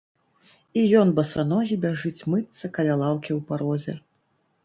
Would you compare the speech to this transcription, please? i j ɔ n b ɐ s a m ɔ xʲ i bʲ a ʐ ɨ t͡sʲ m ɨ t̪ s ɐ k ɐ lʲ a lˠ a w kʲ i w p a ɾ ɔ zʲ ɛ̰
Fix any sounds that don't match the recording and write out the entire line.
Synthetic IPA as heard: i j ɔ n b ɐ s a n ɔ ɣʲ i bʲ a ʐ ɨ t͡sʲ m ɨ t̪ s ɐ k ɐ lʲ a lˠ a w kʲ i w p a ɾ ɔ zʲ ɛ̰